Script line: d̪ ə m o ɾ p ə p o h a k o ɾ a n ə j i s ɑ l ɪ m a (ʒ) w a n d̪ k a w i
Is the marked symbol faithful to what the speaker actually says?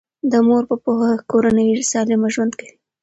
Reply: yes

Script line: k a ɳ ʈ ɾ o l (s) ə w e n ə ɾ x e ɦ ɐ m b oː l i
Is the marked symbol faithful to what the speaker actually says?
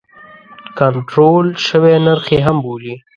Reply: no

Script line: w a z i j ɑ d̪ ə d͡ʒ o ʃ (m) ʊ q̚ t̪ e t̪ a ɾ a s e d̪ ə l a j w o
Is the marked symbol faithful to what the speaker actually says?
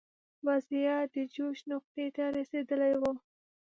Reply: no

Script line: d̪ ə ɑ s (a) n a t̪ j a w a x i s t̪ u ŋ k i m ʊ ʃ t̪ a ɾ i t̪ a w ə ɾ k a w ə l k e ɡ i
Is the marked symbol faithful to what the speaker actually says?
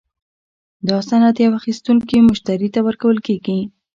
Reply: yes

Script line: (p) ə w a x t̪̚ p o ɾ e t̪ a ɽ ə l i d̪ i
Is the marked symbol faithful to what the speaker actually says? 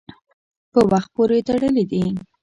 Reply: yes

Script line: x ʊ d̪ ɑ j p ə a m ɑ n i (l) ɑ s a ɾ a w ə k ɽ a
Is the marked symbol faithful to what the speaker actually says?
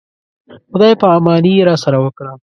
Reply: no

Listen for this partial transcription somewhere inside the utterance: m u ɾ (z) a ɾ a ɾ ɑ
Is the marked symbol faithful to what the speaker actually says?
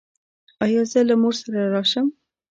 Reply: no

